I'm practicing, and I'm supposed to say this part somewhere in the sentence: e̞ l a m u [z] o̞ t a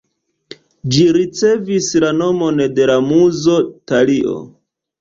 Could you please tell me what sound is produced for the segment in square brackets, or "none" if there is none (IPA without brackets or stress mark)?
z